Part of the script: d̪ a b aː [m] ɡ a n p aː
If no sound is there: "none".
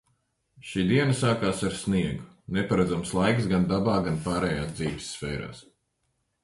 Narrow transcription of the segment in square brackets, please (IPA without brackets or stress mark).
none